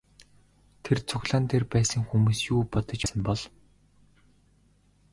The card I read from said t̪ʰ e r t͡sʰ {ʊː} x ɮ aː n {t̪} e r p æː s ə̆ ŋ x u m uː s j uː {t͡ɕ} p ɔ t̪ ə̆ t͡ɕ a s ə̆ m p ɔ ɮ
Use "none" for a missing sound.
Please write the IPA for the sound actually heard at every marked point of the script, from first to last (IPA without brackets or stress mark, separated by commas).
ʊ, t̪ʰ, none